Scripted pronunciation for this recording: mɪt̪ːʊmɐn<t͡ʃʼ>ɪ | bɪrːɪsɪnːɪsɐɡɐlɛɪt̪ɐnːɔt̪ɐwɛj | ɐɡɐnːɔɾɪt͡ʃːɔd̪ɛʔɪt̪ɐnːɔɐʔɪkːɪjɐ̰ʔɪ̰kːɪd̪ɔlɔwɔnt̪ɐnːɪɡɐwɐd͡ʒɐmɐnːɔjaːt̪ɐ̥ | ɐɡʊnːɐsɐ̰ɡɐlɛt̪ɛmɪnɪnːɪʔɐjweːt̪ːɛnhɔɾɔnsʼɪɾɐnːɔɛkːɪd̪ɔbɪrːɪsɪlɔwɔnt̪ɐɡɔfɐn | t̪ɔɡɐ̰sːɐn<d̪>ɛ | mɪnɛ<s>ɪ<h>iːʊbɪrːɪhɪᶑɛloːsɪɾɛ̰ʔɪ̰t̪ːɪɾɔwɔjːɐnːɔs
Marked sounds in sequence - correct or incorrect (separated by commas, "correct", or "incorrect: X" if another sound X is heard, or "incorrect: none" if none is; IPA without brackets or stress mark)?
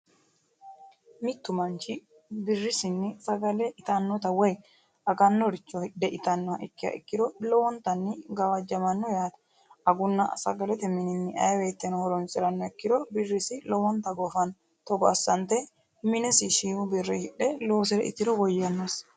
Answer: incorrect: t͡ʃ, incorrect: t̪, correct, incorrect: ʃ